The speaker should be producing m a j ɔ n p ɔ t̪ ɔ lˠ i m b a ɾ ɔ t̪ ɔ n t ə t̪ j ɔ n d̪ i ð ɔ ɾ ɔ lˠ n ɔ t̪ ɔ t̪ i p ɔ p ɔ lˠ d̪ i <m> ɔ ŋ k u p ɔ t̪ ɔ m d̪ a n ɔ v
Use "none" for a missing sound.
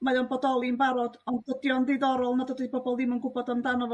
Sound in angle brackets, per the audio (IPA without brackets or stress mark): m